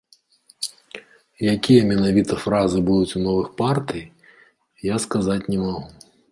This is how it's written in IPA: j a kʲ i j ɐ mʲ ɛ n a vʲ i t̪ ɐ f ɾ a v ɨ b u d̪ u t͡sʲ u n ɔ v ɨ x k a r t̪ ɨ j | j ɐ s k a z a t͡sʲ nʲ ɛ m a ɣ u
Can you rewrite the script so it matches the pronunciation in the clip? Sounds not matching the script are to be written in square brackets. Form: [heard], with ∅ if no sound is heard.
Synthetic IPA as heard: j a kʲ i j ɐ mʲ ɛ n a vʲ i t̪ ɐ f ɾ a [z] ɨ b u d̪ u t͡sʲ u n ɔ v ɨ x [p] a r t̪ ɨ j | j [a] s k a z a t͡sʲ nʲ ɛ m a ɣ u

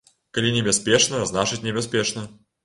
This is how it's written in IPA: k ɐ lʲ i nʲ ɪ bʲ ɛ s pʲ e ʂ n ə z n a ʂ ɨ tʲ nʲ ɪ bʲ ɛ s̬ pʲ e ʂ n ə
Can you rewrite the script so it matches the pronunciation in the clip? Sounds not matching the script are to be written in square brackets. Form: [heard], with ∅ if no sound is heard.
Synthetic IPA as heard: k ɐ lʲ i nʲ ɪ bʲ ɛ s pʲ e ʂ n ə z n a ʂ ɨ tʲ nʲ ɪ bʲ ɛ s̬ pʲ e ʂ n ə

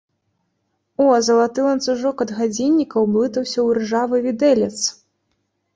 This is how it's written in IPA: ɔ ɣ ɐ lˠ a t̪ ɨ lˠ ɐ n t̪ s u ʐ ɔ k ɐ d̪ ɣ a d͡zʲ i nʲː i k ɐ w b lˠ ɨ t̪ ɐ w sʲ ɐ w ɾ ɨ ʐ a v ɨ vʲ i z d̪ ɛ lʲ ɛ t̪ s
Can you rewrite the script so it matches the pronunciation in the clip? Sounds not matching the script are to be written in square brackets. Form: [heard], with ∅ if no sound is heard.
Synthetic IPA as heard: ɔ [z] ɐ lˠ a t̪ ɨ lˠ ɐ n t̪ s u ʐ ɔ k ɐ d̪ ɣ a d͡zʲ i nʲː i k ɐ w b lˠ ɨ t̪ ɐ w sʲ ɐ w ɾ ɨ ʐ a v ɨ vʲ i [∅] d̪ ɛ lʲ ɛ t̪ s

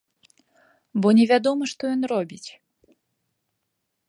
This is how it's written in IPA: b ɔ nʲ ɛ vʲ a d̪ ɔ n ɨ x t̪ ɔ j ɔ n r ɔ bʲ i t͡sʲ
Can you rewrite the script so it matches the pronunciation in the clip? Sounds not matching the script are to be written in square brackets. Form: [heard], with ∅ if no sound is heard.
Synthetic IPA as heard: b ɔ nʲ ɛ vʲ a d̪ ɔ [m] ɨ [ʂ] t̪ ɔ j ɔ n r ɔ bʲ i t͡sʲ

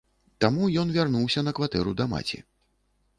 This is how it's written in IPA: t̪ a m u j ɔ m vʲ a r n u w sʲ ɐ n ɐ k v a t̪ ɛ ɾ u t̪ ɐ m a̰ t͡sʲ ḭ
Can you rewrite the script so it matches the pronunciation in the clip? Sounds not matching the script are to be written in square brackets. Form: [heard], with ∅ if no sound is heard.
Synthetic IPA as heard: t̪ a m u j ɔ [n] vʲ a r n u w sʲ ɐ n ɐ k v a t̪ ɛ ɾ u [d̪] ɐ m a̰ t͡sʲ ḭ

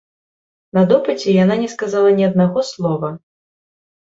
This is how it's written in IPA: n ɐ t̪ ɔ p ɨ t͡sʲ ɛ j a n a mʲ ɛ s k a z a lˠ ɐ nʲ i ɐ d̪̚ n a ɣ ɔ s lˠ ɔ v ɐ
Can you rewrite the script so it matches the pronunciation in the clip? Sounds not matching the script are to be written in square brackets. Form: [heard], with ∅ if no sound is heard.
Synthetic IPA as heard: n ɐ [d̪] ɔ p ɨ t͡sʲ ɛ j a n a [nʲ] ɛ s k a z a lˠ ɐ nʲ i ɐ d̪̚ n a ɣ ɔ s lˠ ɔ v ɐ

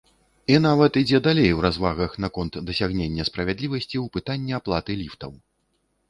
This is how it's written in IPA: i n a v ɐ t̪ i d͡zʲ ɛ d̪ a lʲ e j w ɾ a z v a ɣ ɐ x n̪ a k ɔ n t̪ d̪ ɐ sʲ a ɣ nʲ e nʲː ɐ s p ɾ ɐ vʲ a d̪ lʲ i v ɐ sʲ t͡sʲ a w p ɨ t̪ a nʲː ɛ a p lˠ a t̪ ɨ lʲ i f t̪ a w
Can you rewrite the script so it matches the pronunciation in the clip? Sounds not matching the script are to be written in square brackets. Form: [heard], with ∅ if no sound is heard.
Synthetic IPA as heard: i n a v ɐ t̪ i d͡zʲ ɛ d̪ a lʲ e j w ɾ a z v a ɣ ɐ x n̪ a k ɔ n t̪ d̪ ɐ sʲ a ɣ nʲ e nʲː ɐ s p ɾ ɐ vʲ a d̪ lʲ i v ɐ sʲ t͡sʲ [i] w p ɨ t̪ a nʲː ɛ a p lˠ a t̪ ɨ lʲ i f t̪ [ɐ] w

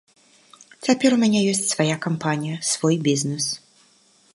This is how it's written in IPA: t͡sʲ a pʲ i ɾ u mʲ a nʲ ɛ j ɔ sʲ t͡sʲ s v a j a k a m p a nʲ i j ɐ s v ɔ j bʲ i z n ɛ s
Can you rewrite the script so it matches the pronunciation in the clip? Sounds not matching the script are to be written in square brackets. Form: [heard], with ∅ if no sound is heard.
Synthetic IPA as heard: t͡sʲ a pʲ [ɛ] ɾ u mʲ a nʲ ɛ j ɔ sʲ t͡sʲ s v a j a k a m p a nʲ i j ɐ s v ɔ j bʲ i z n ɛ s

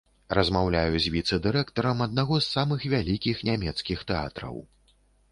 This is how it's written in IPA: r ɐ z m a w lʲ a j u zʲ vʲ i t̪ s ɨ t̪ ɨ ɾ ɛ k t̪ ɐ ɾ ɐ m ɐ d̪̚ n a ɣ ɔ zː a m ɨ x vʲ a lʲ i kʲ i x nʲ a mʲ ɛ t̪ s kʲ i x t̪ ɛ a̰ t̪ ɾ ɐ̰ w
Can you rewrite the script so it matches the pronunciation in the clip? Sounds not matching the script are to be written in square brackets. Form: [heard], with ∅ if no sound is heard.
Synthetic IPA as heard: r ɐ z m a w lʲ a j u zʲ vʲ i t̪ s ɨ [d̪] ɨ ɾ ɛ k t̪ ɐ ɾ ɐ m ɐ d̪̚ n a ɣ ɔ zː a m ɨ x vʲ a lʲ i kʲ i x nʲ a mʲ ɛ t̪ s kʲ i x t̪ ɛ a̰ t̪ ɾ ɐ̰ w

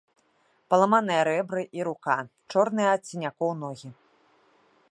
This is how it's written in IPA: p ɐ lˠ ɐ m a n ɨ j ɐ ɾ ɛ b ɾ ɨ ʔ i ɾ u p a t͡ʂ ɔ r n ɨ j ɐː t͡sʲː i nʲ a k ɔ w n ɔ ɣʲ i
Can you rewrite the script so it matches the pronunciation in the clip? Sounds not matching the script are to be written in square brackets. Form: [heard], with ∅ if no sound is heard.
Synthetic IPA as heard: p ɐ lˠ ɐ m a n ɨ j ɐ ɾ ɛ b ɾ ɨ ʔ i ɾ u [k] a t͡ʂ ɔ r n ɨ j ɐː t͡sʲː i nʲ a k ɔ w n ɔ ɣʲ i

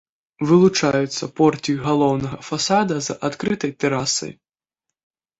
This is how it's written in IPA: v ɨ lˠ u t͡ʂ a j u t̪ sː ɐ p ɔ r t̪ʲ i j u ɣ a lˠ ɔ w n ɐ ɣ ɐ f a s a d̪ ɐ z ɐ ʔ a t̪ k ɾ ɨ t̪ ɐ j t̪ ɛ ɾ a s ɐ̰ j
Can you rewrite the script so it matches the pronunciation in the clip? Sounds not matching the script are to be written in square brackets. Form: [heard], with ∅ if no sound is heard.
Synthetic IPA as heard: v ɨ lˠ u t͡ʂ a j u t̪ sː ɐ p ɔ r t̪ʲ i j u ɣ a lˠ ɔ w n ɐ ɣ ɐ f a s a d̪ ɐ z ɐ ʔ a t̪ k ɾ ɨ t̪ ɐ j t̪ ɛ ɾ a s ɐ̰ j

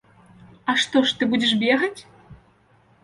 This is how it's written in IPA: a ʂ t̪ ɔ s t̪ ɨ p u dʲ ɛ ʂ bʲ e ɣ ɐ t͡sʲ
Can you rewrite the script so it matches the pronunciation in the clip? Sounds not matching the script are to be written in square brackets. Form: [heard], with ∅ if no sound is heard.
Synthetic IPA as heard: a ʂ t̪ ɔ [ʂ] t̪ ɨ [b] u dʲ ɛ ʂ bʲ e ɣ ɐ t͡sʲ

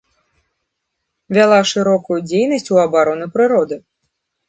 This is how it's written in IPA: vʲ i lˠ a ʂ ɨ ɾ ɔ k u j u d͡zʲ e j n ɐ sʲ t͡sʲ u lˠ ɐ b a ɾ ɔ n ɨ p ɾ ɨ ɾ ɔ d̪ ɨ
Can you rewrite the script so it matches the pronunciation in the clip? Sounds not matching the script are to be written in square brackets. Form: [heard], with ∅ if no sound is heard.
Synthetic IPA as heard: vʲ [a] lˠ a ʂ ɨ ɾ ɔ k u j u d͡zʲ e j n ɐ sʲ t͡sʲ u [∅] ɐ b a ɾ ɔ n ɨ p ɾ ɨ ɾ ɔ d̪ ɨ

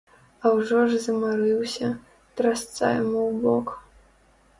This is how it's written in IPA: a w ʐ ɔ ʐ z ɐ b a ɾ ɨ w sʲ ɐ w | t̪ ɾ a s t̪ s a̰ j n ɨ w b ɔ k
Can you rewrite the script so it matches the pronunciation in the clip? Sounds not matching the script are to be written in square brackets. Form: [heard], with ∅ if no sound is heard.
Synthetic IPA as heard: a w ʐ ɔ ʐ z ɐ [m] a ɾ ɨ w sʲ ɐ [∅] | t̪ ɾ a s t̪ s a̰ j [m] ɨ w b ɔ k

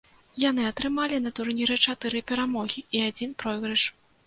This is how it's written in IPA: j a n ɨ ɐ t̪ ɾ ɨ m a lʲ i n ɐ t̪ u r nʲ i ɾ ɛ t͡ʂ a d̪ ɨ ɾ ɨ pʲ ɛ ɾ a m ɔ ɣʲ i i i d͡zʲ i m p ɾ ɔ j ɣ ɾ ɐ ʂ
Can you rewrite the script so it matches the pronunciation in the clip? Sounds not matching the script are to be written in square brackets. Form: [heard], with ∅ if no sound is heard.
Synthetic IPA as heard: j a n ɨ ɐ t̪ ɾ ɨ m a lʲ i n ɐ t̪ u r nʲ i ɾ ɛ t͡ʂ a [t̪] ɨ ɾ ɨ pʲ ɛ ɾ a m ɔ ɣʲ i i [a] d͡zʲ i [n] p ɾ ɔ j ɣ ɾ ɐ ʂ

